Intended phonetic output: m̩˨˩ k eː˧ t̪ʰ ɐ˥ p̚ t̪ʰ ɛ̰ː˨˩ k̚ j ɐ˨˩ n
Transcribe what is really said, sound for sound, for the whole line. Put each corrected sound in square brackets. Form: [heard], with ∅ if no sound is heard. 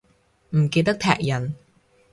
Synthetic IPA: m̩˨˩ k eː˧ [t̪] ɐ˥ [k̚] t̪ʰ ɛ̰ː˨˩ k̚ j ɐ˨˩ n